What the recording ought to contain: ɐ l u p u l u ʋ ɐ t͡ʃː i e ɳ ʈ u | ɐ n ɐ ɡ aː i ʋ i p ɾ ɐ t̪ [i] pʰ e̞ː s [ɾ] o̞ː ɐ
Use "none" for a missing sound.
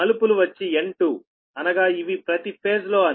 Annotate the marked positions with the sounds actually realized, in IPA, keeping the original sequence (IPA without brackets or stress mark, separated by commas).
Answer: i, l